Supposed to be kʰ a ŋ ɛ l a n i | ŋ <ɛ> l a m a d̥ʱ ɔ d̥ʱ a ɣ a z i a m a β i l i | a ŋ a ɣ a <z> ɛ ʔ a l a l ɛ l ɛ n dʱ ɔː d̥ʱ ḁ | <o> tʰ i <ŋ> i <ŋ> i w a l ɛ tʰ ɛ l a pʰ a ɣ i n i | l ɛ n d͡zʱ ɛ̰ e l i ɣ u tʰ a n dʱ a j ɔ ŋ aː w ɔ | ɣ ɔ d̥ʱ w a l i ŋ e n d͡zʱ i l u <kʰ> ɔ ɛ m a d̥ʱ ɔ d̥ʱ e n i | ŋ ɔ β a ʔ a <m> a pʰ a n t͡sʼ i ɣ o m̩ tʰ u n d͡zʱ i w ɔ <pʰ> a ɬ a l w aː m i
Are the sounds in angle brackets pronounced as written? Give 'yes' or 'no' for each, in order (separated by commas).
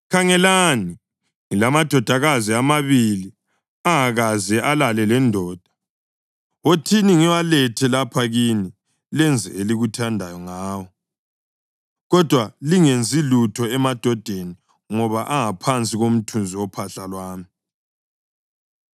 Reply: no, yes, yes, no, yes, no, no, yes